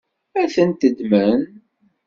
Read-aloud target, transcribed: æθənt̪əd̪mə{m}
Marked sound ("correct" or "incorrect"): incorrect